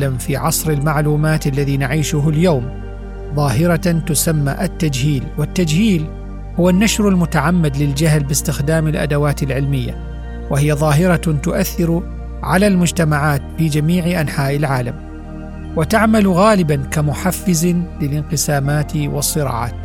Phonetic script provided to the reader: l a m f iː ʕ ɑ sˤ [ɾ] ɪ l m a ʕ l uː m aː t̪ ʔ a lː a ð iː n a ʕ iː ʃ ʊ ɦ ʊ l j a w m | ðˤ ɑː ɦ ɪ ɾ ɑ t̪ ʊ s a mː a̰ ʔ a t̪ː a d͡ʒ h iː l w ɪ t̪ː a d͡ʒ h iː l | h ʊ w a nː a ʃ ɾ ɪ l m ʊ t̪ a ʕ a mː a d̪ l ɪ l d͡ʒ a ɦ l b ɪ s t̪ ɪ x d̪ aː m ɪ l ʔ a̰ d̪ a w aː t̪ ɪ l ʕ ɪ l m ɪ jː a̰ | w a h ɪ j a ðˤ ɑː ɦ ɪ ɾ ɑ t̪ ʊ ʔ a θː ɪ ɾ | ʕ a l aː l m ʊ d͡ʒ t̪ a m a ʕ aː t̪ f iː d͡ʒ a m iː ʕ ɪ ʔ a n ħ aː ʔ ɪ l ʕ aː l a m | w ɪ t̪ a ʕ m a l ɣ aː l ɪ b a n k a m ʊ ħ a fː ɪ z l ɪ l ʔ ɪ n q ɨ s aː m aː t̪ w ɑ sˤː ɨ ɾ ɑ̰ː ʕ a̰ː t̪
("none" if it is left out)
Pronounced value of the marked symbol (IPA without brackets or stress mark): ɾ